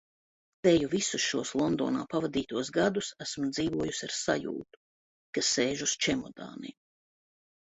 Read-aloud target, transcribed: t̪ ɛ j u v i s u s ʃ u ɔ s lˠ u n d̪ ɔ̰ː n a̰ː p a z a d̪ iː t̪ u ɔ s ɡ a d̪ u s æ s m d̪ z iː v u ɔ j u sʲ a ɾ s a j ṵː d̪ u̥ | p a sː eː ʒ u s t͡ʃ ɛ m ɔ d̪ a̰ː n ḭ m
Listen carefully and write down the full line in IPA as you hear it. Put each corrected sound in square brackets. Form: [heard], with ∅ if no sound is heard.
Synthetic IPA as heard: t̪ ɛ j u v i s u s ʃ u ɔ s lˠ [ɔ] n d̪ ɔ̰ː n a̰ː p a [v] a d̪ iː t̪ u ɔ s ɡ a d̪ u s æ s m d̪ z iː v u ɔ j u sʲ a ɾ s a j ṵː [t̪] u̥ | [k] a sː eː ʒ u s t͡ʃ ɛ m ɔ d̪ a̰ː n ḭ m